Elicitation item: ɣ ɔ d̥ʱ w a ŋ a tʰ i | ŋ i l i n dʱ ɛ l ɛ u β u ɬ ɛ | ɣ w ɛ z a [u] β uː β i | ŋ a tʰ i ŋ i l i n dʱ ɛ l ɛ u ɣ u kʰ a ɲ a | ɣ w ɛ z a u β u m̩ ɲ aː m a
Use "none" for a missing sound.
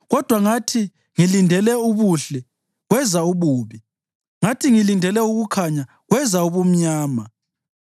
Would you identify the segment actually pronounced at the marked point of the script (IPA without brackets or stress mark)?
u